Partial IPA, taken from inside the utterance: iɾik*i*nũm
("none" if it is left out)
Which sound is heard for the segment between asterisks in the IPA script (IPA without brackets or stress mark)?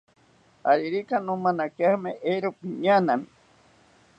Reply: a